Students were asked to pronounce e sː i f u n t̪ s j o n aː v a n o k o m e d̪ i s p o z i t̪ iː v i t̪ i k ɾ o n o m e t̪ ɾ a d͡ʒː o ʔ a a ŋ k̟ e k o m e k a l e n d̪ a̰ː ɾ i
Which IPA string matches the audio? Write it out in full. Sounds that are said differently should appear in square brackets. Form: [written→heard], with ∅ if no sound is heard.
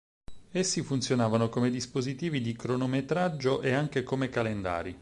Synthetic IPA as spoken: e sː i f u n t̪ s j o n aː v a n o k o m e d̪ i s p o z i t̪ iː v i [t̪→d̪] i k ɾ o n o m e t̪ ɾ a d͡ʒː o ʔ [a→e] a ŋ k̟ e k o m e k a l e n d̪ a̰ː ɾ i